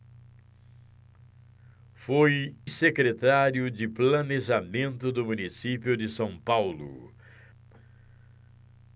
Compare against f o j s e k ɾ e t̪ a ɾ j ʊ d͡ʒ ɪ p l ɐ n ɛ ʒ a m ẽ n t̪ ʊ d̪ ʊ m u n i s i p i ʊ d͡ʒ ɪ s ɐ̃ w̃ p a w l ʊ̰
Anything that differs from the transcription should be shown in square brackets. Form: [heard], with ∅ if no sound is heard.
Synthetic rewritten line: f o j s e k ɾ e t̪ a ɾ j ʊ d͡ʒ ɪ p l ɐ n [e] ʒ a m ẽ n t̪ ʊ d̪ ʊ m u n i s i p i ʊ d͡ʒ ɪ s ɐ̃ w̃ p a w l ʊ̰